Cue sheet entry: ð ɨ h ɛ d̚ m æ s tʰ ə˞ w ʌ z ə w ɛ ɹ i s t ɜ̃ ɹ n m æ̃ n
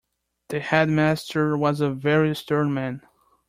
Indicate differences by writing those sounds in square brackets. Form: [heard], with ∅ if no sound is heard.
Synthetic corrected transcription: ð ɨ h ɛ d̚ m æ s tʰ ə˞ w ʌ z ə [v] ɛ ɹ i s t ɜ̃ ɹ n m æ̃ n